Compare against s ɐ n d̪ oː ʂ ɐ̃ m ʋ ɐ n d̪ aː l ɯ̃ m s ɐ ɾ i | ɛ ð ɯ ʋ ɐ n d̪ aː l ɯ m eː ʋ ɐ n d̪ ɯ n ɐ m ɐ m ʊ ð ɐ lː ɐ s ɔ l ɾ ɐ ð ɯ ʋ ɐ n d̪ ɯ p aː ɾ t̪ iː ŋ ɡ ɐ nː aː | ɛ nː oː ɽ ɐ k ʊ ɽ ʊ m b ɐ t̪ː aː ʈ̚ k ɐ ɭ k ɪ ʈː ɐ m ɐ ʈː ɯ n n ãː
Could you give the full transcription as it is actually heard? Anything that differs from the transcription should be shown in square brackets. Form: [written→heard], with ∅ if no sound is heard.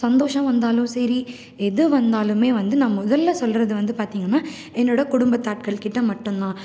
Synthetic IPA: s ɐ n d̪ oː ʂ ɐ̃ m ʋ ɐ n d̪ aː l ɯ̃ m s ɐ ɾ i | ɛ ð ɯ ʋ ɐ n d̪ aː l ɯ m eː ʋ ɐ n d̪ ɯ n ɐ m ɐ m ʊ ð ɐ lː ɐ s ɔ l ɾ ɐ ð ɯ ʋ ɐ n d̪ ɯ p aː ɾ t̪ iː ŋ ɡ ɐ nː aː | ɛ nː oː ɽ ɐ k ʊ ɽ ʊ m b ɐ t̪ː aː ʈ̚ k ɐ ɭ k ɪ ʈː ɐ m ɐ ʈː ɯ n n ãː